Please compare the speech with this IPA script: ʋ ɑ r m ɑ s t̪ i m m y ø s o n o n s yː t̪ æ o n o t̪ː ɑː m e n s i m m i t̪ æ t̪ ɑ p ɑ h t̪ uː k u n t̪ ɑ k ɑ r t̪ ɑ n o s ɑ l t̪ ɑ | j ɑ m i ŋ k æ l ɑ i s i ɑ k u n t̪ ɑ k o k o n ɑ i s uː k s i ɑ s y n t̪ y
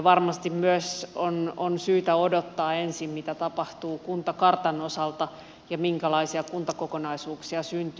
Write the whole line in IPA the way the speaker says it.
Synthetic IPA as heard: ʋ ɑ r m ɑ s t̪ i m m y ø s o n o n s yː t̪ æ o d o t̪ː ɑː e n s i m m i t̪ æ t̪ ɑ p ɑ h t̪ uː k u n t̪ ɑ k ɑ r t̪ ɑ n o s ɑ l t̪ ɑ | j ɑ m i ŋ k æ l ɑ i s i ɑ k u n t̪ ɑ k o k o n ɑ i s uː k s i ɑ s y n t̪ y